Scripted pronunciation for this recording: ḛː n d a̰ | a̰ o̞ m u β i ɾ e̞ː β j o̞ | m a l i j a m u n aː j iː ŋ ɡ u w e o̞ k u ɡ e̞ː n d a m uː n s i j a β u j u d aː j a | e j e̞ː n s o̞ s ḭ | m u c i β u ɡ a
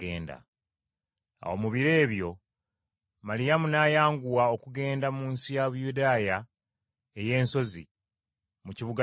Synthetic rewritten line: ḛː n d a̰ | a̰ o̞ m u β i ɾ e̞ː β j o̞ | m a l i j a m u n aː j aː ŋ ɡ u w a o̞ k u ɡ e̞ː n d a m uː n s i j a β u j u d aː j a | e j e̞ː n s o̞ z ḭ | m u c i β u ɡ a